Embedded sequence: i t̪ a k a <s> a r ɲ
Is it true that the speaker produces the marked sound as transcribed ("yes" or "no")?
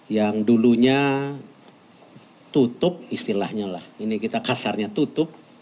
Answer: yes